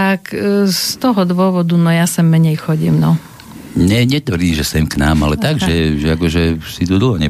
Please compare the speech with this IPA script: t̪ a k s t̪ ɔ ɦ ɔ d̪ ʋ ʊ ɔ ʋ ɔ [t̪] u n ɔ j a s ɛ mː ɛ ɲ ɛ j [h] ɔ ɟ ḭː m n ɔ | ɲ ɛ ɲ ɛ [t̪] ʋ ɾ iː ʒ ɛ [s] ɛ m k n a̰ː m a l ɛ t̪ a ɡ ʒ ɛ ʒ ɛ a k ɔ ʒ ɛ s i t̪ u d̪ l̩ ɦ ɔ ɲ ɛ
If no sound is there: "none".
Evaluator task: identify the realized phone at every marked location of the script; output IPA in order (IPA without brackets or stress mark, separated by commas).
d̪, x, t̪, s